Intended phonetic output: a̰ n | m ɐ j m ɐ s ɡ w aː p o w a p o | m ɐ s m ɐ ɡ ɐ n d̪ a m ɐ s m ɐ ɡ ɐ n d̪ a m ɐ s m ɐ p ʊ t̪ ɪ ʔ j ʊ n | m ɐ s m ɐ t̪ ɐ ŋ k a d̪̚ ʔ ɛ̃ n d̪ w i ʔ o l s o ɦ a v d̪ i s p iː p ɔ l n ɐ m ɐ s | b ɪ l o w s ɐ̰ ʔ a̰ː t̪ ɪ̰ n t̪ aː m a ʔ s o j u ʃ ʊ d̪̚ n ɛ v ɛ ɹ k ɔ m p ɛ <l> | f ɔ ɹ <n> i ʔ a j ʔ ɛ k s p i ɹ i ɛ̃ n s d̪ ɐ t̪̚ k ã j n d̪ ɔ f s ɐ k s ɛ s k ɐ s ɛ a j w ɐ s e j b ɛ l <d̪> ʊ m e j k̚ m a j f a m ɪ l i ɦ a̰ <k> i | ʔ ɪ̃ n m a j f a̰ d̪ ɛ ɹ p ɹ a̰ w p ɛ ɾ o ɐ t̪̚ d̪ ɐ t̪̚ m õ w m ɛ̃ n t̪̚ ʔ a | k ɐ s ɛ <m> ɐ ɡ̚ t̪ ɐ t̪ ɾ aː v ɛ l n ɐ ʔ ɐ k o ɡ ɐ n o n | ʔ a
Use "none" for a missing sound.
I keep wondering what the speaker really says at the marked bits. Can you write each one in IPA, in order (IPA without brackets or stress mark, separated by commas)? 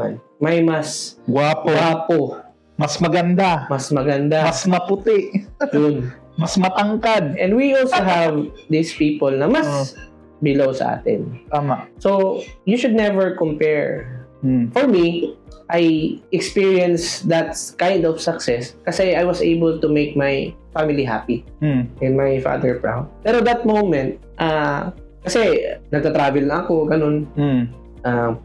ɹ, m, t̪, p, n